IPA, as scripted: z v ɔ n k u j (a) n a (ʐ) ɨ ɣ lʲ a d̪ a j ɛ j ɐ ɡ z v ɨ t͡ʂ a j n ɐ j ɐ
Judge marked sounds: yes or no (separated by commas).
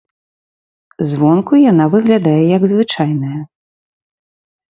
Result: yes, no